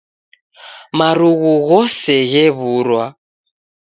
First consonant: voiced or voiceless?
voiced